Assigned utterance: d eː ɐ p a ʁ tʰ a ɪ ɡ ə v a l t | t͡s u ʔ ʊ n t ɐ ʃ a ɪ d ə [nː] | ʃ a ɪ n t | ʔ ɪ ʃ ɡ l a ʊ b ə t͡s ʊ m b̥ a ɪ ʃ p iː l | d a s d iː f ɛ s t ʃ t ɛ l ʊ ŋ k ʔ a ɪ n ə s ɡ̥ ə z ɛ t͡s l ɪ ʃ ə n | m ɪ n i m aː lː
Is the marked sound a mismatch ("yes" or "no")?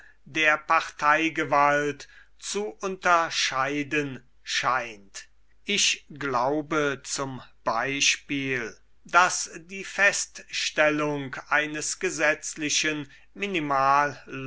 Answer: yes